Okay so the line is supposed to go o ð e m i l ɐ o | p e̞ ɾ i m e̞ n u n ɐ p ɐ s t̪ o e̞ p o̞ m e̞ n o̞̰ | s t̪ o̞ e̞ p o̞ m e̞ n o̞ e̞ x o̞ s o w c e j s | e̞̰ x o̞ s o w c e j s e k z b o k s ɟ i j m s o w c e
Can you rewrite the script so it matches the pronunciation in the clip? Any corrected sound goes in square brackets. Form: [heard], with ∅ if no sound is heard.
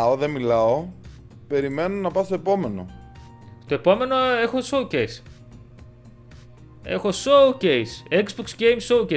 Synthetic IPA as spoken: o ð e m i l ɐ o | p e̞ ɾ i m e̞ n [o] n ɐ p ɐ s t̪ o e̞ p o̞ m e̞ n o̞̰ | s t̪ o̞ e̞ p o̞ m e̞ n o̞ e̞ x o̞ s o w c e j s | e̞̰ x o̞ s o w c e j s e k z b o k s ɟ [e] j m s o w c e